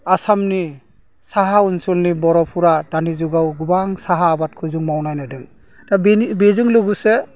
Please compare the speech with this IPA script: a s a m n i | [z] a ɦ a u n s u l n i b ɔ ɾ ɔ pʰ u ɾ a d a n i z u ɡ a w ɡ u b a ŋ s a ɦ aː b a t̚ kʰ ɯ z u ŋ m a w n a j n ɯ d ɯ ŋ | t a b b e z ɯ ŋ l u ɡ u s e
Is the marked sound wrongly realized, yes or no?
yes